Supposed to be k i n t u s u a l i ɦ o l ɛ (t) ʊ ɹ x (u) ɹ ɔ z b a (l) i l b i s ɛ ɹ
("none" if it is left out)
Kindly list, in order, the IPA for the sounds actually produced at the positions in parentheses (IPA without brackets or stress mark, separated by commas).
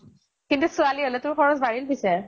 t, ɔ, ɹ